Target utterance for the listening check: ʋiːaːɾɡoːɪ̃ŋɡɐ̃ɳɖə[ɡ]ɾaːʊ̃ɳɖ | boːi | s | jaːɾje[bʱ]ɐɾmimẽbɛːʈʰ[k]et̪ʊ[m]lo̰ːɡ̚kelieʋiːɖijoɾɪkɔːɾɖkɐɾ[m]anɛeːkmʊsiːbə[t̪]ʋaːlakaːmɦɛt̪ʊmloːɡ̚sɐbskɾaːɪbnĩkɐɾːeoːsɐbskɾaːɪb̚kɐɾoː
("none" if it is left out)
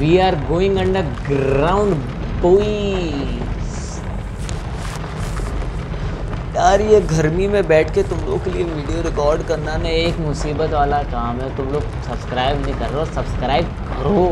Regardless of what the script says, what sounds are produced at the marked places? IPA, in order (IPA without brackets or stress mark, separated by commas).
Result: ɡ, ɡʱ, k, m, n, t̪